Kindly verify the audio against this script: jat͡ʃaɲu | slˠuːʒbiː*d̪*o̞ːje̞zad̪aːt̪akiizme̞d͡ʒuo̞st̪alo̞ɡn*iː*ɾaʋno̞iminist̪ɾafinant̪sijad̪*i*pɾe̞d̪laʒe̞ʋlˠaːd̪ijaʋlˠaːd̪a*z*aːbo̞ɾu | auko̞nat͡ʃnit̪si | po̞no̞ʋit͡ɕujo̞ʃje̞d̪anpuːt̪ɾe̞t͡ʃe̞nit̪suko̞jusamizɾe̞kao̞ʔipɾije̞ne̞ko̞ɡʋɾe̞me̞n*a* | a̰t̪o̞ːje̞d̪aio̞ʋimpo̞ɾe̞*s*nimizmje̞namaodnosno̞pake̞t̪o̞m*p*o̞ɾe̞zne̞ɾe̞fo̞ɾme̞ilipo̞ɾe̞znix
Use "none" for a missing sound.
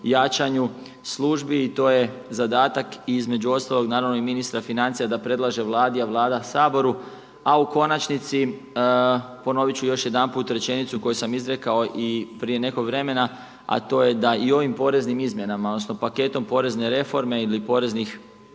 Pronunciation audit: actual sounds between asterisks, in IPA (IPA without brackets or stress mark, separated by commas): t̪, aː, a, s, a, z, p